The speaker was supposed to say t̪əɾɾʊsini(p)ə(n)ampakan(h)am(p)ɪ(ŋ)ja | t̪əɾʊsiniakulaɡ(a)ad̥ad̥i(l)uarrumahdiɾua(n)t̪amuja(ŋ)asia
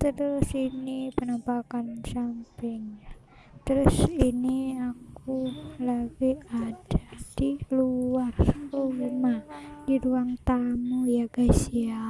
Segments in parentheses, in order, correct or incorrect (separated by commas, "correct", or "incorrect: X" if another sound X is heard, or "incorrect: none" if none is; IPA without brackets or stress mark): correct, correct, incorrect: s, correct, correct, incorrect: i, correct, incorrect: ŋ, incorrect: ɡ